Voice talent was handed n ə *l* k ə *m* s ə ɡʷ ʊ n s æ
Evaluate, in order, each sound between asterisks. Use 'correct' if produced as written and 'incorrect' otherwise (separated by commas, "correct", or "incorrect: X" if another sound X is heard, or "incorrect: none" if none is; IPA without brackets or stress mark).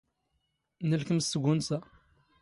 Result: correct, correct